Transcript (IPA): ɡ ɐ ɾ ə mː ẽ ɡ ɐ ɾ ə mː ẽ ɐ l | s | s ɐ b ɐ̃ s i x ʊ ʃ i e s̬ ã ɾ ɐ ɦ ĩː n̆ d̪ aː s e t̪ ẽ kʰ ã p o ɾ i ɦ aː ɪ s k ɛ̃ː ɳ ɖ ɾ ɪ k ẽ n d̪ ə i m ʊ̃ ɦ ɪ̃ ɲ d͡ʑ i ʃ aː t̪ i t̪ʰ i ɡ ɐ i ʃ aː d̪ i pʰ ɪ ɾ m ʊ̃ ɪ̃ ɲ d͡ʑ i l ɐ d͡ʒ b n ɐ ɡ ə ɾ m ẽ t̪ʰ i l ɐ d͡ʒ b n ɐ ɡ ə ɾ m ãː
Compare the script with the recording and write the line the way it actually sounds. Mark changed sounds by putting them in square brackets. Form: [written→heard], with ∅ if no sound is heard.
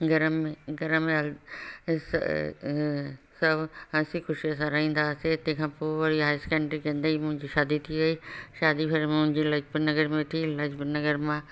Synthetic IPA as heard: ɡ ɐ ɾ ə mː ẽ ɡ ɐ ɾ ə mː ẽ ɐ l | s | s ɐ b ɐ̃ s i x ʊ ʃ i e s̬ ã ɾ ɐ ɦ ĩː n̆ d̪ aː s e t̪ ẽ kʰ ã p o ɾ i ɦ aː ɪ s k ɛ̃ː ɳ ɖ ɾ [ɪ→i] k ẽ n d̪ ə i m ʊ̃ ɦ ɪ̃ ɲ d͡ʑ i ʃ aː [t̪→d̪] i t̪ʰ i ɡ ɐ i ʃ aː d̪ i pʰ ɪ ɾ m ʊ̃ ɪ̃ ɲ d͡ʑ i l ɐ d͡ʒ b n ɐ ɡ ə ɾ m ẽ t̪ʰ i l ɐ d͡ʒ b n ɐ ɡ ə ɾ m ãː

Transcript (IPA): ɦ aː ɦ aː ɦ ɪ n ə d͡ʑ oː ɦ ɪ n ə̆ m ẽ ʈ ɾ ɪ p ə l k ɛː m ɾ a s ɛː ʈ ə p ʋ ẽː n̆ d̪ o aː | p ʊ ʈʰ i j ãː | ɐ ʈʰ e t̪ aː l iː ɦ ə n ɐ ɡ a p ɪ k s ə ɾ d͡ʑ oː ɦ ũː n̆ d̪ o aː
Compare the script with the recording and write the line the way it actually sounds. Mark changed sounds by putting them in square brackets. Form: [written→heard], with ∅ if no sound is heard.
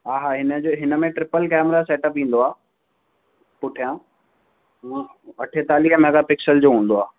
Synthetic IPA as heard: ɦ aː ɦ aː ɦ ɪ n ə d͡ʑ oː ɦ ɪ n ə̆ m ẽ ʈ ɾ ɪ p ə l k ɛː m ɾ a s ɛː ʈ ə p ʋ [ẽː→ĩː] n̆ d̪ o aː | p ʊ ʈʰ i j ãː | ɐ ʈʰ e t̪ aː l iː ɦ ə [n→m] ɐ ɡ a p ɪ k s ə [ɾ→l] d͡ʑ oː ɦ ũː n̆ d̪ o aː

